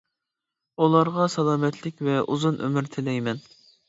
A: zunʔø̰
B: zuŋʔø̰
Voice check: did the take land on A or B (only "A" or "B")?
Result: A